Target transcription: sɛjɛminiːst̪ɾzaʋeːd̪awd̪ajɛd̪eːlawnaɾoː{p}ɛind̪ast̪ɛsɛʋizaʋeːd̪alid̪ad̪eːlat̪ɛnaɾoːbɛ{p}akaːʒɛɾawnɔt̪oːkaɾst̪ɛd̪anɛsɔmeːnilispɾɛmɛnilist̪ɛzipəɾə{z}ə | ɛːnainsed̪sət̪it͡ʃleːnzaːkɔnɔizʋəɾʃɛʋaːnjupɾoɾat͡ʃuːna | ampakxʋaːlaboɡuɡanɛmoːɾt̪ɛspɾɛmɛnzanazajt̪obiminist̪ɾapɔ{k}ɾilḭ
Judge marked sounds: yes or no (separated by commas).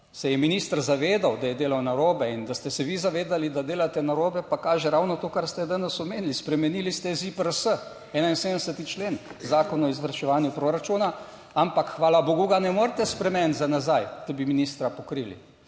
no, yes, no, yes